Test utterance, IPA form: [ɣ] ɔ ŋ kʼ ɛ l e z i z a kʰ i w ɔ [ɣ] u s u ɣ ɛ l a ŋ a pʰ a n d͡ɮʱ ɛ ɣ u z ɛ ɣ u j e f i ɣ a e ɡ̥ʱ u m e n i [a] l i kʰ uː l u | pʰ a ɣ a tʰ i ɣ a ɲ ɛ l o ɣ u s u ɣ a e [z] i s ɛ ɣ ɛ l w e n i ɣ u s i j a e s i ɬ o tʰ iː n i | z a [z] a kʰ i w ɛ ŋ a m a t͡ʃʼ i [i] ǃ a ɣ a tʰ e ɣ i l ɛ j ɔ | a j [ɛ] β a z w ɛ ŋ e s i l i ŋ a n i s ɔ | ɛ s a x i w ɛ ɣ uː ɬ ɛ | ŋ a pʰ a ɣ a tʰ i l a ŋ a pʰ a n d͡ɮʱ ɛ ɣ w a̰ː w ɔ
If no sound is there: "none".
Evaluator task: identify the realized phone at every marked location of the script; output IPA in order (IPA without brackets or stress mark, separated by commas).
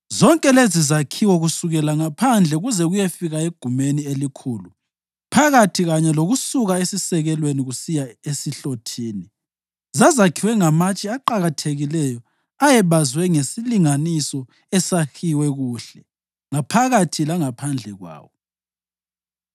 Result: z, ɣ, e, s, z, a, ɛ